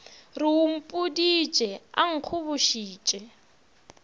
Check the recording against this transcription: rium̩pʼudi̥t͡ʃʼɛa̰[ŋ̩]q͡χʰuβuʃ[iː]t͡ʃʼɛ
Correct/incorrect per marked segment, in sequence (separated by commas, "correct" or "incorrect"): correct, correct